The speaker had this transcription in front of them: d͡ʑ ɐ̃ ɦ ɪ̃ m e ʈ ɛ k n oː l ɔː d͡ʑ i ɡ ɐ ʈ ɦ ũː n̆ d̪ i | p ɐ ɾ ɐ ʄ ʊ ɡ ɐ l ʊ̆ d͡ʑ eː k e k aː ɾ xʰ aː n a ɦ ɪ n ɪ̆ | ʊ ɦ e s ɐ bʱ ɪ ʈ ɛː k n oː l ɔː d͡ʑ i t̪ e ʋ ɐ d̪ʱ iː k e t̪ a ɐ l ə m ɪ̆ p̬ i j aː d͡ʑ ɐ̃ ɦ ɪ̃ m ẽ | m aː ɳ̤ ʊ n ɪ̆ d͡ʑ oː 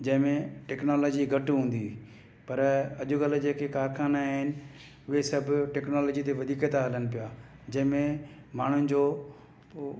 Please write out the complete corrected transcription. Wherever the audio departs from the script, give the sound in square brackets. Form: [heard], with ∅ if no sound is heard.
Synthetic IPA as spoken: d͡ʑ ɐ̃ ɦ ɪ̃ m [ẽ] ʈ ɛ k n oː l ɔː d͡ʑ i ɡ ɐ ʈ ɦ ũː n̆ d̪ i | p ɐ ɾ ɐ ʄ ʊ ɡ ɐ l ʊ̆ d͡ʑ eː k e k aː ɾ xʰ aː n a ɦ ɪ n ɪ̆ | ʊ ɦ e s ɐ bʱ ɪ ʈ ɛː k n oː l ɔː d͡ʑ i t̪ e ʋ ɐ d̪ʱ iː k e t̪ a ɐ l ə [n] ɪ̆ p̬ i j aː d͡ʑ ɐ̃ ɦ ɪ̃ m ẽ | m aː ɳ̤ ʊ n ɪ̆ d͡ʑ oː